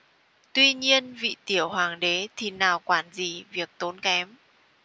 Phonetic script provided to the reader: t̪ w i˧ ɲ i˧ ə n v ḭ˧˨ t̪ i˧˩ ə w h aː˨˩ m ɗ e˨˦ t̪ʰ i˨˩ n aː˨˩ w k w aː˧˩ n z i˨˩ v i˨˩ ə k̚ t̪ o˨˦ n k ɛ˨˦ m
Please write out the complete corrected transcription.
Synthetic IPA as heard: t̪ w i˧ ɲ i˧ ə n v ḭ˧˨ t̪ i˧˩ ə w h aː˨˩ ŋ ɗ e˨˦ t̪ʰ i˨˩ n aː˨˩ w k w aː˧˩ n z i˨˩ v i˨˩ ə k̚ t̪ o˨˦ n k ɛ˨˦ m

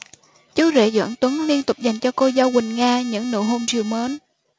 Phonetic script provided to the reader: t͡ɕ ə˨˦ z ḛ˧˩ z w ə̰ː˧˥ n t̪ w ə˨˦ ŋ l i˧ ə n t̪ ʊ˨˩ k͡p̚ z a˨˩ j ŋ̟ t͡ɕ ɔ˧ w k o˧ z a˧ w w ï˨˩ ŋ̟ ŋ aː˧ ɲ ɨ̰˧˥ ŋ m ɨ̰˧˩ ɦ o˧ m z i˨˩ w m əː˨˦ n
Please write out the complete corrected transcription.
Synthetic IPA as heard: t͡ɕ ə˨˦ z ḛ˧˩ z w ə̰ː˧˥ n t̪ w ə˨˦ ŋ l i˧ ə n t̪ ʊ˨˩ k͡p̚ z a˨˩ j ŋ̟ t͡ɕ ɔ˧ k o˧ z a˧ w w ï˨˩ ŋ̟ ŋ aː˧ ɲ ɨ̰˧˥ ŋ n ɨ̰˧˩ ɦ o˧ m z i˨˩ w m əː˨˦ n

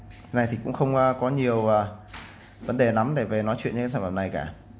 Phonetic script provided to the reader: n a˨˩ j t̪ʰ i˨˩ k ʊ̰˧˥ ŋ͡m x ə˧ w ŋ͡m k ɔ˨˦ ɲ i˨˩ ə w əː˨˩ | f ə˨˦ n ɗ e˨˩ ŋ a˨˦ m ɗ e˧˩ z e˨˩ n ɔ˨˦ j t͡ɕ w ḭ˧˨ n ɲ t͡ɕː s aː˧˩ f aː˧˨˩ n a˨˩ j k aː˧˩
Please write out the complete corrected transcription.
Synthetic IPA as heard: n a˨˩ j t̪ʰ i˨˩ k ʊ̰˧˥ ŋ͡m x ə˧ w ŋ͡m k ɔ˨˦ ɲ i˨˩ ə w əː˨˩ | v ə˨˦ n ɗ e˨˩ n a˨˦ m ɗ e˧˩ v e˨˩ n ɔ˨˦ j t͡ɕ w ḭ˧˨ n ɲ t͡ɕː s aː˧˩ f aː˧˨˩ n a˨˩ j k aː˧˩

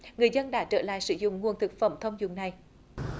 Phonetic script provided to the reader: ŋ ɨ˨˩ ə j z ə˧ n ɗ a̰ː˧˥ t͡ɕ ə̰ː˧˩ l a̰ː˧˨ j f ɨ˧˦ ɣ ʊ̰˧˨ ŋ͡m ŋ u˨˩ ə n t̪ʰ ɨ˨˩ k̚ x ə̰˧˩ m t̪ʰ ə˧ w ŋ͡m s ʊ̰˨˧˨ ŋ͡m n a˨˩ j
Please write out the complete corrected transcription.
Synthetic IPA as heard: ŋ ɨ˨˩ ə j z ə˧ n ɗ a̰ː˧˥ t͡ɕ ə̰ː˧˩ l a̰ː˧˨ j s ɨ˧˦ z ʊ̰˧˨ ŋ͡m ŋ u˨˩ ə n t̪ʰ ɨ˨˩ k̚ f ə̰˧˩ m t̪ʰ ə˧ w ŋ͡m z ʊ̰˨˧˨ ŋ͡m n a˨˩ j

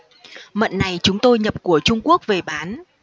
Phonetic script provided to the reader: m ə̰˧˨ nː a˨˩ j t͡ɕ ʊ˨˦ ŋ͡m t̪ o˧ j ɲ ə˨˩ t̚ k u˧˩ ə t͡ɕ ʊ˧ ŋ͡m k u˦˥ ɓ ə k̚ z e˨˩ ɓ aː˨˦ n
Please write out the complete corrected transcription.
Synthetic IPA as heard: m ə̰˧˨ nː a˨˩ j t͡ɕ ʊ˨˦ ŋ͡m t̪ o˧ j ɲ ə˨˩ p̚ k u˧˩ ə t͡ɕ ʊ˧ ŋ͡m k u˦˥ ə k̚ v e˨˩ ɓ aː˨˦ n

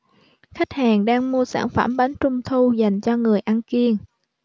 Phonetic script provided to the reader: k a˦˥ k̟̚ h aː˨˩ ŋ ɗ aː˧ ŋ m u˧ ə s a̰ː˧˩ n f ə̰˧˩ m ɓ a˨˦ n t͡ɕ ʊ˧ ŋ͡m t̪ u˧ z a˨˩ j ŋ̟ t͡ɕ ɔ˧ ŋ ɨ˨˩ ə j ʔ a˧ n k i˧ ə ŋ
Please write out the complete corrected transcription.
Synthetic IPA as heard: x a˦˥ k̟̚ h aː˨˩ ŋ ɗ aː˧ ŋ m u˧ ə s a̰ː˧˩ n f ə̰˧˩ m ɓ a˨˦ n t͡ɕ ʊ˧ ŋ͡m t̪ʰ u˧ z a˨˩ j ŋ̟ t͡ɕ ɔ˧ ŋ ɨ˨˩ ə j ʔ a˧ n k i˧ ə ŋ

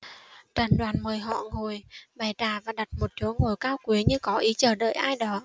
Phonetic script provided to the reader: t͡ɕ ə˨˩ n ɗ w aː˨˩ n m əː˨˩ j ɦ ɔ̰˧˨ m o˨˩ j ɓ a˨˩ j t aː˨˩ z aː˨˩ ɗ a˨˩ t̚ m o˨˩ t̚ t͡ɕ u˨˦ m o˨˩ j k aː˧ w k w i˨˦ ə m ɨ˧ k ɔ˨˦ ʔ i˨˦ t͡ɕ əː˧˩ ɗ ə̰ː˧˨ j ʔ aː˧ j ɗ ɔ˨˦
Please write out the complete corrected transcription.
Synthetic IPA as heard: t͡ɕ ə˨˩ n ɗ w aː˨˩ n m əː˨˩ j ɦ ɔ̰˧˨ ŋ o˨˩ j ɓ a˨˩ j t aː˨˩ v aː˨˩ ɗ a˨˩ t̚ m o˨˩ t̚ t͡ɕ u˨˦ ŋ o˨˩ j k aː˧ w k w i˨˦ ə ɲ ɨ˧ k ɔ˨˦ ʔ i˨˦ t͡ɕ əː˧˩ ɗ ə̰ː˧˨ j ʔ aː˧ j ɗ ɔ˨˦

